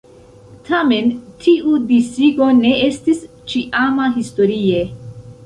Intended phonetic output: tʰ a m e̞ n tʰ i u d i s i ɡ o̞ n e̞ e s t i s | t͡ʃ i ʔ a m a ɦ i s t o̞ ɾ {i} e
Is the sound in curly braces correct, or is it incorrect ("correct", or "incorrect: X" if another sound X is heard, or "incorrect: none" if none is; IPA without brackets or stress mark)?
correct